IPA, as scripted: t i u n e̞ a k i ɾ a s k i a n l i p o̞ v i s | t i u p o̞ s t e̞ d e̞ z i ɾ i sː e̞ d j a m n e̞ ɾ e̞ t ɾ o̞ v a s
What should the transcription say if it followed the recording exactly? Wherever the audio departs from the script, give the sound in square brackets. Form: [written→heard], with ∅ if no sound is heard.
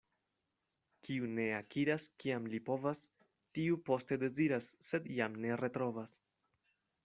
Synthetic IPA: [t→k] i u n e̞ a k i ɾ a s k i a [n→m] l i p o̞ v [i→a] s | t i u p o̞ s t e̞ d e̞ z i ɾ [i→a] sː e̞ d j a m n e̞ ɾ e̞ t ɾ o̞ v a s